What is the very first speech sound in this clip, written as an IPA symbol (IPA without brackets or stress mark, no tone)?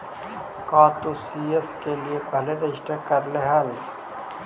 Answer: k